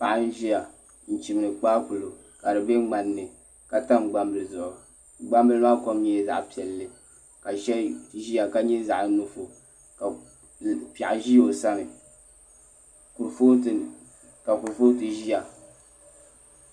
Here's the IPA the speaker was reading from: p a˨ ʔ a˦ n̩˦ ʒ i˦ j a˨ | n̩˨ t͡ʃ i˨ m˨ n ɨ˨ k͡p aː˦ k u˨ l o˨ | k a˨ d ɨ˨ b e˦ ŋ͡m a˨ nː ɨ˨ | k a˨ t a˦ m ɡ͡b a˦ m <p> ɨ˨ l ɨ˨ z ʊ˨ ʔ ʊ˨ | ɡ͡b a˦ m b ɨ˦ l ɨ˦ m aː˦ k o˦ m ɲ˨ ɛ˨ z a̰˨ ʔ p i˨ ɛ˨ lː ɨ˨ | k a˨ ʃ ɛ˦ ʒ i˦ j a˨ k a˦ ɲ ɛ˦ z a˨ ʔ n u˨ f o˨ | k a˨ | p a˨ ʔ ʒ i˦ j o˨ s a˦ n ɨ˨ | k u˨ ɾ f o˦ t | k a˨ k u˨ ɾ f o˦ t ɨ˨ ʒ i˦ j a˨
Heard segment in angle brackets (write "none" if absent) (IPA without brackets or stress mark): b